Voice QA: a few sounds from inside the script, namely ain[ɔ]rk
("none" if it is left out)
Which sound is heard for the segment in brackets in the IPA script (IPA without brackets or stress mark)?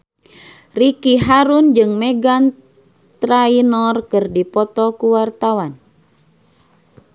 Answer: ɔ